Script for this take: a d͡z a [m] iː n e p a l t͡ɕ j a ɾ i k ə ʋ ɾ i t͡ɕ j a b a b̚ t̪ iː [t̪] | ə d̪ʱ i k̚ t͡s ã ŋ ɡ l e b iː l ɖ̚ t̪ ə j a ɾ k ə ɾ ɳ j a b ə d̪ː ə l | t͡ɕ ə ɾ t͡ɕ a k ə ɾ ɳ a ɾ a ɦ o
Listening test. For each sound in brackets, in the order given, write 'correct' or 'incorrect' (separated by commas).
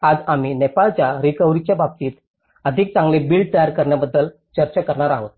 correct, correct